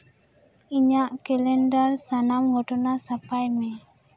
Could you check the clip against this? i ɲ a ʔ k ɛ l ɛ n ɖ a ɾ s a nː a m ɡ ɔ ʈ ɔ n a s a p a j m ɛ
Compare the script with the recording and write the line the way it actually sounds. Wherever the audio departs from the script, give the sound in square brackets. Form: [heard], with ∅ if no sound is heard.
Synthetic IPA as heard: i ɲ a ʔ k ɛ l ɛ n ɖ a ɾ s a [n] a m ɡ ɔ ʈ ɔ n a s a p a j m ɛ